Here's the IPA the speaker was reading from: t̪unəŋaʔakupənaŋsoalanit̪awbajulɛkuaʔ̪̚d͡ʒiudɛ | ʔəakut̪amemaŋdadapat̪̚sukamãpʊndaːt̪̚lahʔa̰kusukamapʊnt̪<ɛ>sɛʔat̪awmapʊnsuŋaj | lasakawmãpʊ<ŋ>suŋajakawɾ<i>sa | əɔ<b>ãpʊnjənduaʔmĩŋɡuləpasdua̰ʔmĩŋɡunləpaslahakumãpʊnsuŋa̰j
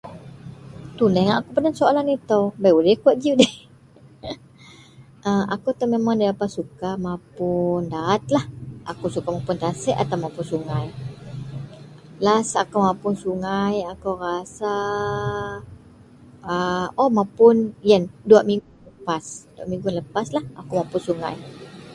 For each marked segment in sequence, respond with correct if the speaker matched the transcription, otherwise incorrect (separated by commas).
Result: incorrect, incorrect, incorrect, incorrect